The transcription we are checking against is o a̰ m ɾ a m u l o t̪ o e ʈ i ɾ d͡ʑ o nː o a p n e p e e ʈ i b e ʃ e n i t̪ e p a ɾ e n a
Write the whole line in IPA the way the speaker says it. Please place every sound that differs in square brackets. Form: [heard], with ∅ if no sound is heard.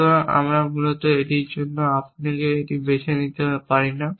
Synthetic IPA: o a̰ m ɾ a m u l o t̪ o e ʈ i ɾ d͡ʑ o nː o a p n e [k] e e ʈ i b e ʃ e n i t̪ e p a ɾ [i] n a